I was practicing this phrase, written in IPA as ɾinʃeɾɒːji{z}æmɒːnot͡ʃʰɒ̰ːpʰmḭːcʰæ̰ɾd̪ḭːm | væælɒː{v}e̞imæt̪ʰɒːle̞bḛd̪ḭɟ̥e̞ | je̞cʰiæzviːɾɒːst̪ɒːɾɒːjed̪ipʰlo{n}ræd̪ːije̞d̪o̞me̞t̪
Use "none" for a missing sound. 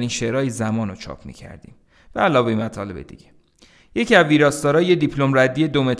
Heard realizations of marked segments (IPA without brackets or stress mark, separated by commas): z, v, m